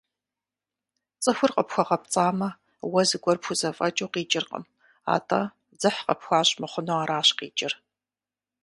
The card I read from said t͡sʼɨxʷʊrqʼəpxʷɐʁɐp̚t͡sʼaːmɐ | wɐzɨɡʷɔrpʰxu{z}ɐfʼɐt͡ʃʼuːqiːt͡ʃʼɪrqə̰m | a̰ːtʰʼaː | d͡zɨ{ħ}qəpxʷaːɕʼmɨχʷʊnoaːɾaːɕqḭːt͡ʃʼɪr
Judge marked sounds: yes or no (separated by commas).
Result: yes, yes